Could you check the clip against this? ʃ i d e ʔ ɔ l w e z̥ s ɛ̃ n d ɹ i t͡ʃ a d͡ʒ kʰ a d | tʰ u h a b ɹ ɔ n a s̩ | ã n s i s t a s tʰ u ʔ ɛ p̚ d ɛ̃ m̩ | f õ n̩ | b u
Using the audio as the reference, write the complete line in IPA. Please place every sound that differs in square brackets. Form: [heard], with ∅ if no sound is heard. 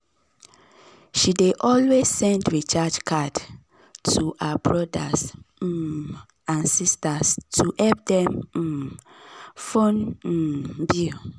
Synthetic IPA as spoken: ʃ i d e ʔ ɔ l w e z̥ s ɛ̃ n d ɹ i t͡ʃ a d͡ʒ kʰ a d | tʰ u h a b ɹ ɔ [d] a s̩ | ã n s i s t a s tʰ u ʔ ɛ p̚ d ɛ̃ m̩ | f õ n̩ | b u